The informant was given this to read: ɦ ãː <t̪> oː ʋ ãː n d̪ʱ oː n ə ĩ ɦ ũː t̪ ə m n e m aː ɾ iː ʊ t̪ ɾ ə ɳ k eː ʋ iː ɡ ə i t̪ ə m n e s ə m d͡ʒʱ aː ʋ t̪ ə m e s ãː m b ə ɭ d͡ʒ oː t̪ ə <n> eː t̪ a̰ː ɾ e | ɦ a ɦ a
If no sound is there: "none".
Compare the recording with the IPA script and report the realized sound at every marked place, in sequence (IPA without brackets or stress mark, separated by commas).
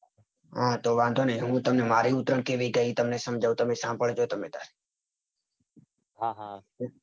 t̪, m